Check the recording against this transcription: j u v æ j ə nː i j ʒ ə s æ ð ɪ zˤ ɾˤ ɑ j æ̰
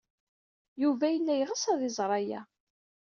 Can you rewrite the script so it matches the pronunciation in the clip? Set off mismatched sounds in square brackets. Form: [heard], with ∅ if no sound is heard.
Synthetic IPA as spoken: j u v æ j ə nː [æ] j [ʁ] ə s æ ð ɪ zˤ ɾˤ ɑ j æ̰